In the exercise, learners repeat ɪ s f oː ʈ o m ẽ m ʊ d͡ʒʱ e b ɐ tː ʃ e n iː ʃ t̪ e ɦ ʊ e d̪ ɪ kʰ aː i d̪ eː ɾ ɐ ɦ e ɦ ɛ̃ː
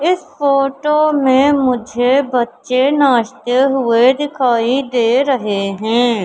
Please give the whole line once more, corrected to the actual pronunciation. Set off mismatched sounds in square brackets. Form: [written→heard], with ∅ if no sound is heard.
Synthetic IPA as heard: ɪ s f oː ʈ o m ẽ m ʊ d͡ʒʱ e b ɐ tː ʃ e n [iː→aː] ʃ t̪ e ɦ ʊ e d̪ ɪ kʰ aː i d̪ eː ɾ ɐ ɦ e ɦ ɛ̃ː